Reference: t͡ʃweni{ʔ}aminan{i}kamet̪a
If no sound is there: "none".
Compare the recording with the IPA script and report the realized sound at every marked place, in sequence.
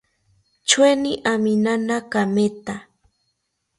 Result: ʔ, a

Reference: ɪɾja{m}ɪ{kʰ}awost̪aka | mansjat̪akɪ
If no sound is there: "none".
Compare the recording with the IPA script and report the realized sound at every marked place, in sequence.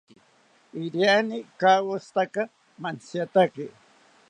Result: n, k

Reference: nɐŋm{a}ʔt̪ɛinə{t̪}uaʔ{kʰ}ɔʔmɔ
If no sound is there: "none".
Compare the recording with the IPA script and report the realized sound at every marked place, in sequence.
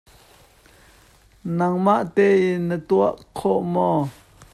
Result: a, t̪, kʰ

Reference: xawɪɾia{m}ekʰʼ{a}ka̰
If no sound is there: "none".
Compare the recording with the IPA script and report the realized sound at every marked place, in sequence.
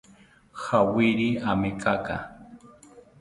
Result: m, a

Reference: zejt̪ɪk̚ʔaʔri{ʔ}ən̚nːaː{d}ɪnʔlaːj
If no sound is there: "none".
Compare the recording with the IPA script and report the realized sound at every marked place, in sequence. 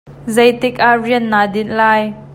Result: none, d

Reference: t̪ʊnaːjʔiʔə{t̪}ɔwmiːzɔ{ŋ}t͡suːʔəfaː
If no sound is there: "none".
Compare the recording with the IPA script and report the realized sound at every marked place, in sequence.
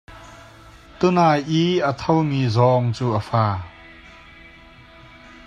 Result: t̪ʰ, ŋ

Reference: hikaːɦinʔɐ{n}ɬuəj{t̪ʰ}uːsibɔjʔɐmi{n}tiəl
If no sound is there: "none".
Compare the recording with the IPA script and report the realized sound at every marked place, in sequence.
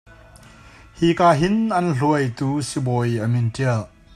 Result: n, t̪, n

